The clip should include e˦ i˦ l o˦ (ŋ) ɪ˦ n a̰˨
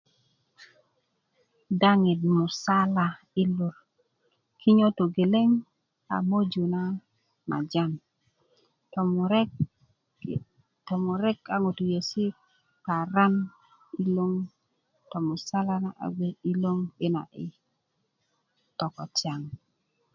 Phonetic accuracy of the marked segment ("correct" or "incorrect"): correct